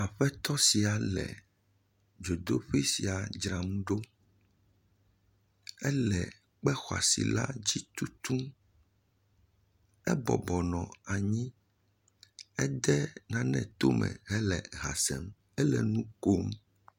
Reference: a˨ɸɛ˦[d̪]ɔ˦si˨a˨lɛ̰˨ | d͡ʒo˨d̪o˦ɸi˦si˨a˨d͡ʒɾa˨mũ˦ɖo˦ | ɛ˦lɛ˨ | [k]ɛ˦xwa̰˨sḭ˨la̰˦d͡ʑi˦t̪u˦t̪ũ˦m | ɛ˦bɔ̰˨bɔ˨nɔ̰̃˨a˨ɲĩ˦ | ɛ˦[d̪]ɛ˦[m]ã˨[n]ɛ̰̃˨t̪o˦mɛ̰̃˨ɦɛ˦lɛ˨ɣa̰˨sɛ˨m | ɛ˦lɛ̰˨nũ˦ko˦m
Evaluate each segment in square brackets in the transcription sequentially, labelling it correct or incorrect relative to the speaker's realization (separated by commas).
incorrect, incorrect, correct, incorrect, correct